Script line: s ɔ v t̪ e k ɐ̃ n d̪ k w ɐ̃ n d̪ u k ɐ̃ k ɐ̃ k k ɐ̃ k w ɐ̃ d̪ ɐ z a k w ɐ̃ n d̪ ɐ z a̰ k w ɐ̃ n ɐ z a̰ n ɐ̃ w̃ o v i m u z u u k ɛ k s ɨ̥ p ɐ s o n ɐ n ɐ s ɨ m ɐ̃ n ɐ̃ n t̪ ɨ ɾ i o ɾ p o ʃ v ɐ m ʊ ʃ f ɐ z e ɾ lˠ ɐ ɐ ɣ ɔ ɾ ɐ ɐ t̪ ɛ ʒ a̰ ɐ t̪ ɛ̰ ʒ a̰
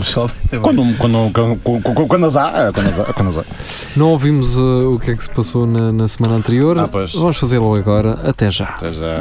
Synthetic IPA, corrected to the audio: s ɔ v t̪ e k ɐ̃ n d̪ k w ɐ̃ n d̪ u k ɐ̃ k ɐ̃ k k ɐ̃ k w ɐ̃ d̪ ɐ z a k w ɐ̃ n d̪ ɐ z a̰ k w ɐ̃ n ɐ z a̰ n ɐ̃ w̃ o v i m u z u u k ɛ k s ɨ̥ p ɐ s o n ɐ n ɐ s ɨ m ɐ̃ n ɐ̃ n t̪ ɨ ɾ i o ɾ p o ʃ v ɐ m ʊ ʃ f ɐ z e ɾ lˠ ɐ ɐ ɣ ɔ ɾ ɐ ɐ t̪ ɛ ʒ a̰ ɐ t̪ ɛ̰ ʒ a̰